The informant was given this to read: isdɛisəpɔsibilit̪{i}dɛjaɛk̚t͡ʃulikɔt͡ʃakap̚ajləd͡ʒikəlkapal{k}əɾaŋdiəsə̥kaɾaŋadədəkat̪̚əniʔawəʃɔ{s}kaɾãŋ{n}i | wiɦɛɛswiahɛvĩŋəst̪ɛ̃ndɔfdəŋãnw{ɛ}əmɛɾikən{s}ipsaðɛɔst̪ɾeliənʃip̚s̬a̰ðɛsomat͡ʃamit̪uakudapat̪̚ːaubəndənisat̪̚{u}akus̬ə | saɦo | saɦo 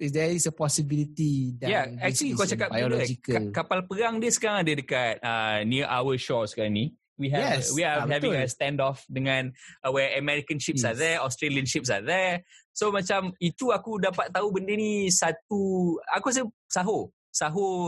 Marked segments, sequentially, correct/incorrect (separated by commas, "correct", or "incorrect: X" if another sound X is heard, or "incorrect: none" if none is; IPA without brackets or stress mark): correct, incorrect: p, correct, correct, correct, incorrect: ʃ, correct